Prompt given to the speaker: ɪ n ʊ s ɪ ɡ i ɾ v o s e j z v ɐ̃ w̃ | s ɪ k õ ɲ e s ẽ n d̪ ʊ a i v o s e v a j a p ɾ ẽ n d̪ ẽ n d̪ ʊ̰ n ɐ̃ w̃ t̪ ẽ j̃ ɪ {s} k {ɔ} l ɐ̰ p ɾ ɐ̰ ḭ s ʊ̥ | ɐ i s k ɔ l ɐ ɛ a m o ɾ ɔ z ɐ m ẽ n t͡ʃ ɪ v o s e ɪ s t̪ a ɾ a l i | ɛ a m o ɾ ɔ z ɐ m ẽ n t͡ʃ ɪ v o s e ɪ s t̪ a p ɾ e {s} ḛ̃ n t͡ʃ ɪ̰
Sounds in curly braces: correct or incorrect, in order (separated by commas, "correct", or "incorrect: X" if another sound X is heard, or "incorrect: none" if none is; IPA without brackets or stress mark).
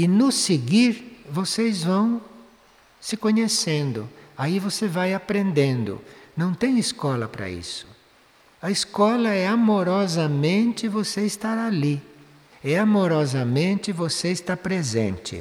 correct, correct, incorrect: z